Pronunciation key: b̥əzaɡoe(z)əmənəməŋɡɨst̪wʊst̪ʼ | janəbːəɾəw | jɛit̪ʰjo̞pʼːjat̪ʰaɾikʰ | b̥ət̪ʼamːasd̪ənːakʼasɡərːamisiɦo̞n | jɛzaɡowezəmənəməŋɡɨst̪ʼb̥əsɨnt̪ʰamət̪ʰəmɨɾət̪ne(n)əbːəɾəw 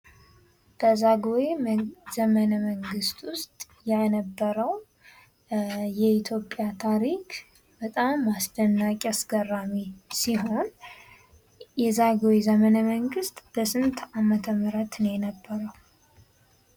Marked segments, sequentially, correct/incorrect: correct, correct

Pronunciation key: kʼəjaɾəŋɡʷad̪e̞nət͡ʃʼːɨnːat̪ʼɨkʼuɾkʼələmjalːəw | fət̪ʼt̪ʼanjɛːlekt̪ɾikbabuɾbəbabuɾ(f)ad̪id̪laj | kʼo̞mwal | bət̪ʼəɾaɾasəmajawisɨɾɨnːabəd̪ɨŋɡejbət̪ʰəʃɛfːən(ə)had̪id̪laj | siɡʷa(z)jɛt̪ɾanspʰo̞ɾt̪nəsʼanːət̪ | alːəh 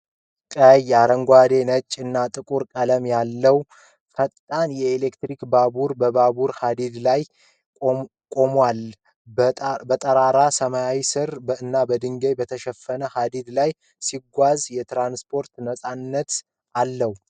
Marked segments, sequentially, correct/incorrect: incorrect: h, correct, correct

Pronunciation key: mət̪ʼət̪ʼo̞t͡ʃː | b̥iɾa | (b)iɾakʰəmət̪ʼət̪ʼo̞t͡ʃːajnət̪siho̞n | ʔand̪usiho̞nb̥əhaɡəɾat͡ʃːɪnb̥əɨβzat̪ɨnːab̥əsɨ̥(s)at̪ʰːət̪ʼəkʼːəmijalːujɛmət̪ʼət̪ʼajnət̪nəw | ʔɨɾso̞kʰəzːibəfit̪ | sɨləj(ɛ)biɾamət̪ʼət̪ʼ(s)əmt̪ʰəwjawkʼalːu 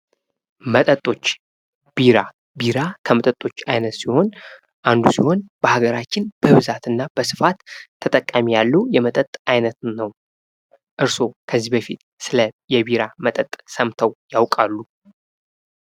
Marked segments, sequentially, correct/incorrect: correct, incorrect: f, correct, correct

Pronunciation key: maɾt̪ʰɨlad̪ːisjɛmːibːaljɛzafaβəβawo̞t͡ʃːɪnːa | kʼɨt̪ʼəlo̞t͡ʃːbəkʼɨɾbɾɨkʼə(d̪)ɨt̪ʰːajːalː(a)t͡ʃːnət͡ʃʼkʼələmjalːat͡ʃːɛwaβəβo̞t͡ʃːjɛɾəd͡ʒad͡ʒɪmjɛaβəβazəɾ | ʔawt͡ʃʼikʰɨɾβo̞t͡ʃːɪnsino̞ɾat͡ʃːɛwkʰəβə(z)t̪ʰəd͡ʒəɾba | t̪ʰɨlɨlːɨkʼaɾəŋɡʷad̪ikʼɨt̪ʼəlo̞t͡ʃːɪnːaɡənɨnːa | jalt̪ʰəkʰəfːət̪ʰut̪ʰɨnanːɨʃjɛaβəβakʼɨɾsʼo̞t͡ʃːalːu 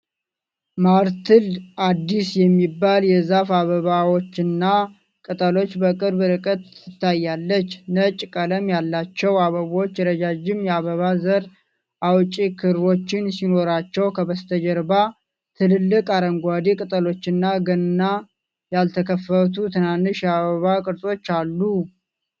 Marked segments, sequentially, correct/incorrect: incorrect: t̪, incorrect: ə, incorrect: s

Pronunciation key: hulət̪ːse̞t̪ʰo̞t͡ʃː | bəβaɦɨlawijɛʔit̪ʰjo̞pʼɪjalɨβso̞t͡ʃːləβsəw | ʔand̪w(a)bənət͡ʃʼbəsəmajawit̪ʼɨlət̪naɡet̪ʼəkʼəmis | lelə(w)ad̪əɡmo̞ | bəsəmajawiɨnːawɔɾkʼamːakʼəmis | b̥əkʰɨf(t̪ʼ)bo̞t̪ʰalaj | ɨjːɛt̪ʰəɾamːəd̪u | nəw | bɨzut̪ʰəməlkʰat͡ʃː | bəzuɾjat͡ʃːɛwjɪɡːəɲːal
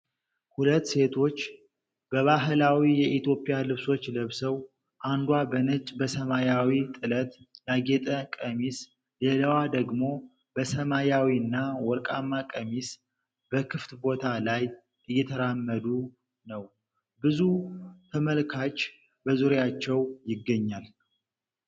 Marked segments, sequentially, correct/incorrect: correct, correct, incorrect: t̪

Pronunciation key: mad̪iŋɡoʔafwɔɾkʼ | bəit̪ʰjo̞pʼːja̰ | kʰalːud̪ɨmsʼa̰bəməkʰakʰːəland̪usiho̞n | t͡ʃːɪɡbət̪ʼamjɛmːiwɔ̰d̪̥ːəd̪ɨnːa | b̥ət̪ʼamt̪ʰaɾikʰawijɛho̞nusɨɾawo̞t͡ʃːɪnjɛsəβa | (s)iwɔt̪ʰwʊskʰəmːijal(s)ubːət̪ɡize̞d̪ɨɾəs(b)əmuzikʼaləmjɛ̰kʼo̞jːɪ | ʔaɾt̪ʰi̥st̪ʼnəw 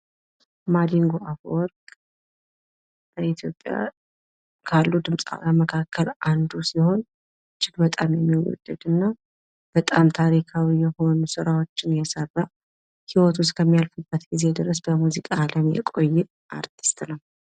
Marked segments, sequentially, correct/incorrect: incorrect: h, incorrect: f, correct

